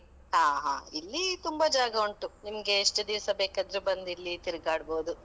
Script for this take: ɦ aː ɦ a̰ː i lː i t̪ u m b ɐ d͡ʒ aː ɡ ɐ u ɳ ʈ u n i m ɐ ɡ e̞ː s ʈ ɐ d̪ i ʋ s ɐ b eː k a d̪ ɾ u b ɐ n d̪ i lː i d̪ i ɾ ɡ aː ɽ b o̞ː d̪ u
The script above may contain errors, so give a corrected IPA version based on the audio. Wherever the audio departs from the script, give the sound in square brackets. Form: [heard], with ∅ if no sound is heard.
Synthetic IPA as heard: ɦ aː ɦ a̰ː i lː i t̪ u m b ɐ d͡ʒ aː ɡ ɐ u ɳ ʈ u n i m ɐ ɡ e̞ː [ʂ] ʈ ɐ d̪ i ʋ s ɐ b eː k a d̪ ɾ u b ɐ n d̪ i lː i [t̪] i ɾ ɡ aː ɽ b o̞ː d̪ u